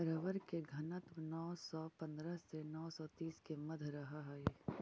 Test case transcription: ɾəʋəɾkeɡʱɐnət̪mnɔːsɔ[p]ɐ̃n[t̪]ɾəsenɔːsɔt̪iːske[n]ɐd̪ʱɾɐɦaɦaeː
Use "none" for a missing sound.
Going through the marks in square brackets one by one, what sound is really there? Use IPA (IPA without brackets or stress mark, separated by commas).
p, d̪, m